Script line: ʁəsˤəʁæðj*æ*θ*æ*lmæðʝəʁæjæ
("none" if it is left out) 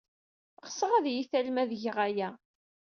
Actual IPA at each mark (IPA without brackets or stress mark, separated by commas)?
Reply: i, æ